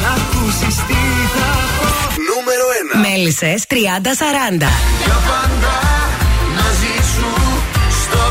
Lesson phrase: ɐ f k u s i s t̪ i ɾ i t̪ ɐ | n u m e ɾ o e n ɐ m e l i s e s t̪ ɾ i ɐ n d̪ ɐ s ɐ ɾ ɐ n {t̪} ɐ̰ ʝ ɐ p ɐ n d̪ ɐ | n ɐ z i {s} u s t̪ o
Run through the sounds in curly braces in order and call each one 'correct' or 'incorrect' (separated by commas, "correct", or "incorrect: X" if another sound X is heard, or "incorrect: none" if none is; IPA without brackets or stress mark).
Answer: incorrect: d̪, correct